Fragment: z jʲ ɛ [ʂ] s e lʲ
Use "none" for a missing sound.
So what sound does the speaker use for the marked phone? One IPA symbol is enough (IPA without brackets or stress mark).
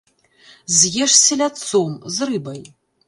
ʂ